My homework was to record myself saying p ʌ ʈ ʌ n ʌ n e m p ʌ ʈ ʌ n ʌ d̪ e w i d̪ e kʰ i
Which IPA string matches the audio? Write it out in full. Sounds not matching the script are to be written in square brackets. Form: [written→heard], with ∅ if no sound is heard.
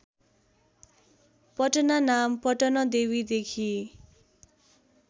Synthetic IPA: p ʌ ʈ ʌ n [ʌ→a] n [e→a] m p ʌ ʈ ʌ n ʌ d̪ e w i d̪ e kʰ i

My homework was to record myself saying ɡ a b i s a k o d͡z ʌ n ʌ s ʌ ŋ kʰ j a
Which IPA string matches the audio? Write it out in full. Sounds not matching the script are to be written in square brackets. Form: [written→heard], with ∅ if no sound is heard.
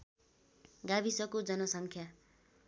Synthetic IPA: ɡ a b i s [a→ʌ] k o d͡z ʌ n ʌ s ʌ ŋ kʰ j a

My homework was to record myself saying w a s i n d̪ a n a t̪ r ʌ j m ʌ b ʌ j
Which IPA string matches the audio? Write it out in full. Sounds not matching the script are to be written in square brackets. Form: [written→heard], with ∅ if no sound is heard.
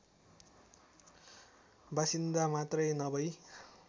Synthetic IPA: [w→b] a s i n d̪ a [n→m] a t̪ r ʌ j [m→n] ʌ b ʌ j

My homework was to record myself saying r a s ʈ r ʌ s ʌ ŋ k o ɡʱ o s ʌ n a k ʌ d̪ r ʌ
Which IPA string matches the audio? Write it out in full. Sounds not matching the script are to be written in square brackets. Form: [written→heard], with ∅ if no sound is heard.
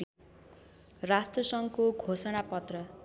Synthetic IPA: r a s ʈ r ʌ s ʌ ŋ k o ɡʱ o s ʌ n a [k→p] ʌ [d̪→t̪] r ʌ

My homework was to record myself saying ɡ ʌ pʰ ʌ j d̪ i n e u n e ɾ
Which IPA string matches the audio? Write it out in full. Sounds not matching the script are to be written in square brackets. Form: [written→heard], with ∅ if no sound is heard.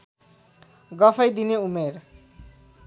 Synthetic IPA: ɡ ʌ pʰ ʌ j d̪ i n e u [n→m] e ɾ

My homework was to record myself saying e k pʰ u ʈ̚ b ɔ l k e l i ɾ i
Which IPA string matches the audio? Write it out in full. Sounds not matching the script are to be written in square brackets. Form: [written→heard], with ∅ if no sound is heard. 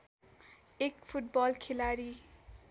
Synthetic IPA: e k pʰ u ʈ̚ b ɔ l [k→kʰ] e l [i→a] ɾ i

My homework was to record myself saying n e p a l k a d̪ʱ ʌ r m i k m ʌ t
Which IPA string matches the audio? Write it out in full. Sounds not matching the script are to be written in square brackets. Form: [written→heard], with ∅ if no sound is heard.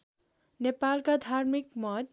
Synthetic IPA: n e p a l k a d̪ʱ [ʌ→a] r m i k m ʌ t

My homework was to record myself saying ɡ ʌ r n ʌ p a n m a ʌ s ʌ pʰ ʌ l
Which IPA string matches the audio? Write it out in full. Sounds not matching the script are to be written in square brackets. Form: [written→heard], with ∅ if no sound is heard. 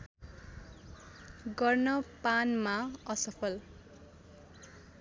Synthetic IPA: ɡ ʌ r n ʌ p a n m a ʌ s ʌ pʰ ʌ l

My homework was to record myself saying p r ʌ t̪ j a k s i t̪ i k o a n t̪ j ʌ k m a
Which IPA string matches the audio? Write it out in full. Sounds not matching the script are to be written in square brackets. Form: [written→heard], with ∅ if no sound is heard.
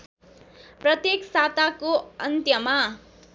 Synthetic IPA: p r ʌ t̪ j [a→e] k s [i→a] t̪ [i→a] k o [a→ʌ] n t̪ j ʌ [k→∅] m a

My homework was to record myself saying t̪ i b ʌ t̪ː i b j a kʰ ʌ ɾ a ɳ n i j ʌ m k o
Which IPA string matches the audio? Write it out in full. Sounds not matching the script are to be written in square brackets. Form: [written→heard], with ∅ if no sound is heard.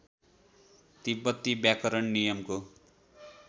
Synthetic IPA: t̪ i b ʌ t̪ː i b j a [kʰ→k] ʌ ɾ [a→ʌ] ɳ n i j ʌ m k o

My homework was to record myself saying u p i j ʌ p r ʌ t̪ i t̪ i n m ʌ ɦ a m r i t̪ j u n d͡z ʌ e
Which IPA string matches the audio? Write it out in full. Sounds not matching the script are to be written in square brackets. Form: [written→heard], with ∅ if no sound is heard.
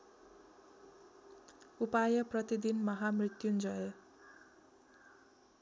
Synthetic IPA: u p [i→a] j ʌ p r ʌ t̪ i [t̪→d̪] i n m ʌ ɦ a m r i t̪ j u n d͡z ʌ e

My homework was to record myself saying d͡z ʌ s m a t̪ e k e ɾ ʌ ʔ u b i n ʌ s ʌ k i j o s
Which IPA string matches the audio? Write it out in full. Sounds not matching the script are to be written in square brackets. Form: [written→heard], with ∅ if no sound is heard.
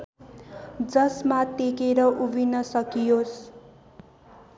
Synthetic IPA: d͡z ʌ s m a t̪ e k e ɾ ʌ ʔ u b i n ʌ s ʌ k i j o s

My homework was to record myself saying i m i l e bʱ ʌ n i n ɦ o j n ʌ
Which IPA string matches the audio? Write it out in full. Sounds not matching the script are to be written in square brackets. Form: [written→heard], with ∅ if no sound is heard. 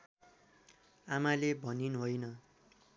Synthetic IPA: [i→a] m [i→a] l e bʱ ʌ n i n ɦ o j n ʌ

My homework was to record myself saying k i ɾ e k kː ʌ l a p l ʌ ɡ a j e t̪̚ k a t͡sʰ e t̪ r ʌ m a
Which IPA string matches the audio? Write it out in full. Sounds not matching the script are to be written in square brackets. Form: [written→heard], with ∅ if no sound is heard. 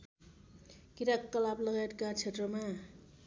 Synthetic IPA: k i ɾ [e→a] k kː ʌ l a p l ʌ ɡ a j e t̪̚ k a t͡sʰ e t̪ r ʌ m a

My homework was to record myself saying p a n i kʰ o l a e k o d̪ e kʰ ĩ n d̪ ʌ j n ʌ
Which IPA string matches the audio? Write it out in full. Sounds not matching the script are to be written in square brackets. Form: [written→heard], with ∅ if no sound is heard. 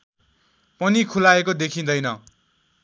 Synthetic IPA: p [a→ʌ] n i kʰ [o→u] l a e k o d̪ e kʰ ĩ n d̪ ʌ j n ʌ

